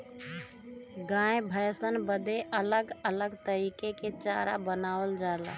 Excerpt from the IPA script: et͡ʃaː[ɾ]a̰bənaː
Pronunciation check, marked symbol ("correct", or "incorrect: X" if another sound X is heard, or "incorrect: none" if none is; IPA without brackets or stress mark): correct